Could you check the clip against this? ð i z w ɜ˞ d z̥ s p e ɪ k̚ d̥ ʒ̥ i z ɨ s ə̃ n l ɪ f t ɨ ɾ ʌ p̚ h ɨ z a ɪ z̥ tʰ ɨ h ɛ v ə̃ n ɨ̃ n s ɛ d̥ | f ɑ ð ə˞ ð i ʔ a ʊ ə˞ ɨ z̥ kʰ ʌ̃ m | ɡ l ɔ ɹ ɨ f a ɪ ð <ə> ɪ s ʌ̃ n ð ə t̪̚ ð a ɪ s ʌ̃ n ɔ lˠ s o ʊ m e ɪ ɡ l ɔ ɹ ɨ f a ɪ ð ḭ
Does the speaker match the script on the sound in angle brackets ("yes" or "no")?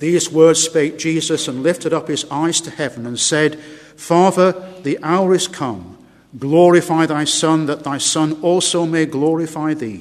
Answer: no